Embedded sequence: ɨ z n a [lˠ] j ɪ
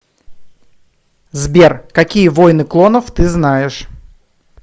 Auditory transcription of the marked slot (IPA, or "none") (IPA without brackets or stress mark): none